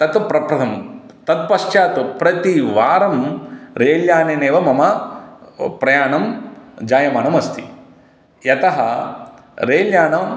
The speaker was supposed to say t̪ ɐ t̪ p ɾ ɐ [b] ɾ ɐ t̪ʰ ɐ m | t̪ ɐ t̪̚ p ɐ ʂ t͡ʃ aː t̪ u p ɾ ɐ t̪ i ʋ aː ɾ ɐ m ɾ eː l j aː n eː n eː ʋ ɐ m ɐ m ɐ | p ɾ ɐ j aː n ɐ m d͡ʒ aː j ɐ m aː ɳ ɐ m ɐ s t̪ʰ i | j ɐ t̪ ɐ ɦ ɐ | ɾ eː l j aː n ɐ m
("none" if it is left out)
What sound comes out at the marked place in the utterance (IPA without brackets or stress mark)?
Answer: p